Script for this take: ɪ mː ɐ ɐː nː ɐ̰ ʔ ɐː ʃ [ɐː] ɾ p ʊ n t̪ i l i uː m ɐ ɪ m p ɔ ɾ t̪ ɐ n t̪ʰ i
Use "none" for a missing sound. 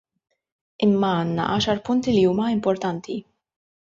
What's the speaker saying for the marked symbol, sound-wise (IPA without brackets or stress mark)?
ɐ